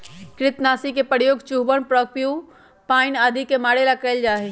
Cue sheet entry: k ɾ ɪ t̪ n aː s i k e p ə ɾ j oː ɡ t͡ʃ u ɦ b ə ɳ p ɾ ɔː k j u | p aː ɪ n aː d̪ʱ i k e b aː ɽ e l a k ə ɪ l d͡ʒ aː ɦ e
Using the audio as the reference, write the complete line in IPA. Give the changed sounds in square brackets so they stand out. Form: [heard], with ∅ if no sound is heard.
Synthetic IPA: k ɾ ɪ t̪ n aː s i k e p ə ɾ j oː ɡ t͡ʃ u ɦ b ə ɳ p ɾ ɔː k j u | p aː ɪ n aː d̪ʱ i k e [m] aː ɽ e l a k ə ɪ l d͡ʒ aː ɦ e